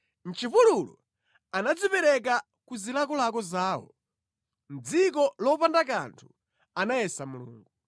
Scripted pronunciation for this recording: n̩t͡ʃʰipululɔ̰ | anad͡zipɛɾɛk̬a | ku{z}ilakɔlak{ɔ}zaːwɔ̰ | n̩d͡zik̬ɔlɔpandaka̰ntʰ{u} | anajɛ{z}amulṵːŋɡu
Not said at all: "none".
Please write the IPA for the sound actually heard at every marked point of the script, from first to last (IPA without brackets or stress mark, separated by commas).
z, ɔ, u, s